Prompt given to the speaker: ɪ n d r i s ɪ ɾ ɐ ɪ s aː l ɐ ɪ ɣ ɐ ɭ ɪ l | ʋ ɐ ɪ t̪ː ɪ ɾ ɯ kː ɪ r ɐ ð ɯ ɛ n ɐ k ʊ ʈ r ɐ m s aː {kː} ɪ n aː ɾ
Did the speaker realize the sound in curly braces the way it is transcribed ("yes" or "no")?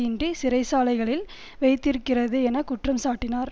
no